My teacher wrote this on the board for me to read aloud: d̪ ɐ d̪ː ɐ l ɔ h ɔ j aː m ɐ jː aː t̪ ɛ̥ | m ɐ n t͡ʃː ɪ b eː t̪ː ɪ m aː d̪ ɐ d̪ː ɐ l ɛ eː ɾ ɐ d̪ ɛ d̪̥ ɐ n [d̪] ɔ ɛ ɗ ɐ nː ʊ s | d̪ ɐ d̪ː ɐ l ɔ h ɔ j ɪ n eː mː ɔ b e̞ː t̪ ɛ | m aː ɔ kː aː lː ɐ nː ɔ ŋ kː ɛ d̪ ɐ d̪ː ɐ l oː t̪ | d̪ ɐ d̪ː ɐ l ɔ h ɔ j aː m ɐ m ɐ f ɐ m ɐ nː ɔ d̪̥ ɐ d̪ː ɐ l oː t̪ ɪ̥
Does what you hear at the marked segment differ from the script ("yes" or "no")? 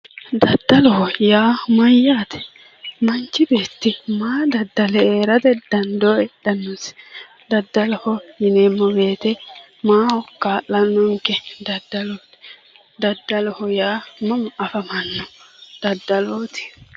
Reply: no